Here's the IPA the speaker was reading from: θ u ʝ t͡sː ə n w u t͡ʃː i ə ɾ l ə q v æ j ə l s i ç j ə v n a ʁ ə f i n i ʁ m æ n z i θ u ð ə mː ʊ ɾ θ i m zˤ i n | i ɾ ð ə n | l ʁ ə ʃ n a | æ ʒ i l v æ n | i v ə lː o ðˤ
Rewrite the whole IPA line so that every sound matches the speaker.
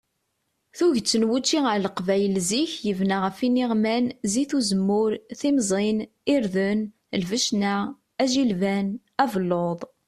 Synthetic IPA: θ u ʝ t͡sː ə n w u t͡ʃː i ə ɾ l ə q v æ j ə l z i ç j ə v n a ʁ ə f i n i ʁ m æ n z i θ u z ə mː ʊ ɾ θ i m zˤ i n | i ɾ ð ə n | l v ə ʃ n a | æ ʒ i l v æ n | æ v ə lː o ðˤ

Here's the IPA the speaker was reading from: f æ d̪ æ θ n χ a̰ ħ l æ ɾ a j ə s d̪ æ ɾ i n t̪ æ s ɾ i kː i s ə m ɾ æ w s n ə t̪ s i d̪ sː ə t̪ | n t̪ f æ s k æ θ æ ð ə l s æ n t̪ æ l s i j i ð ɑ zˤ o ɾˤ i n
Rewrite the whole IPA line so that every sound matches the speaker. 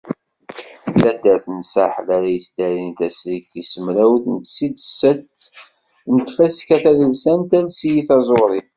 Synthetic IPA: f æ d̪ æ θ n s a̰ ħ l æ ɾ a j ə s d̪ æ ɾ i n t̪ æ s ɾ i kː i s ə m ɾ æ w θ n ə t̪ s i d̪ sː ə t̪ | n t̪ f æ s k æ θ æ ð ə l s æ n t̪ æ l s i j i θ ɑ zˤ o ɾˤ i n

